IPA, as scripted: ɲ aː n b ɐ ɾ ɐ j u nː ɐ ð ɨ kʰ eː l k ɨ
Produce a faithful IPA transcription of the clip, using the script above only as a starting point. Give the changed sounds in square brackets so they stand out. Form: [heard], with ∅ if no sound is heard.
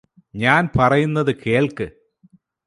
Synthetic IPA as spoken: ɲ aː n [p] ɐ [r] ɐ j u nː ɐ ð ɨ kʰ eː [ɭ] k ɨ